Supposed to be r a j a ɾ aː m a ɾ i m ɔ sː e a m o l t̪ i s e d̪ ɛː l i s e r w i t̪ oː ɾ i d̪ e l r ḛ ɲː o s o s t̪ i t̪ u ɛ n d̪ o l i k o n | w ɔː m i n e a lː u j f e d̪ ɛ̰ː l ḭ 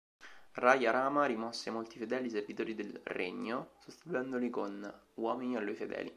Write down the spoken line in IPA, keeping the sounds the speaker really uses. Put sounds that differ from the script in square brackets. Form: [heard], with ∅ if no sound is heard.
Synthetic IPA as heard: r a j a ɾ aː m a ɾ i m ɔ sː e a m o l t̪ i [f] e d̪ ɛː l i s e r [v] i t̪ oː ɾ i d̪ e l r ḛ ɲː o s o s t̪ i t̪ u ɛ n d̪ o l i k o n | w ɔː m i n [i] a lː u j f e d̪ ɛ̰ː l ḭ